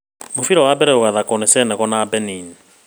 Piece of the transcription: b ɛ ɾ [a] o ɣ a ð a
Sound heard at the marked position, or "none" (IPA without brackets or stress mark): ɛ